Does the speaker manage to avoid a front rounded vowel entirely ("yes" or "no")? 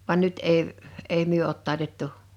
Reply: no